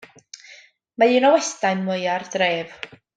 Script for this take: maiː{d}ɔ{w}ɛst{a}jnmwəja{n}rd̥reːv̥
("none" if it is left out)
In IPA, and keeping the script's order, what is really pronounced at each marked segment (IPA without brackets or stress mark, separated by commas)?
n, w, a, none